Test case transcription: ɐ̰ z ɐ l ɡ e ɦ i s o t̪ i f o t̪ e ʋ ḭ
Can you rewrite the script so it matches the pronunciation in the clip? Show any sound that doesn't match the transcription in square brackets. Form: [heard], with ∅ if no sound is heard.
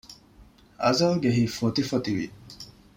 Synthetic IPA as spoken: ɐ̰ z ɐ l ɡ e ɦ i [f] o t̪ i f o t̪ [i] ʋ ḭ